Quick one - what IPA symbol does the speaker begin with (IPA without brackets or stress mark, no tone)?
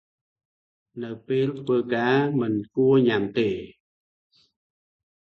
n